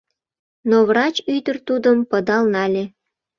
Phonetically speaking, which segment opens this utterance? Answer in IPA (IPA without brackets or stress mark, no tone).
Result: n